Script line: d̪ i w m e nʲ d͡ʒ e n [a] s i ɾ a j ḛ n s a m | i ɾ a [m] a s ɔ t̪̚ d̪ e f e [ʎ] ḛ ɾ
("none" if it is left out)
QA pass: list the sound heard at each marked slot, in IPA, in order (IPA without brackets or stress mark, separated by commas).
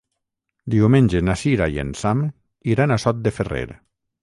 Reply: a, n, r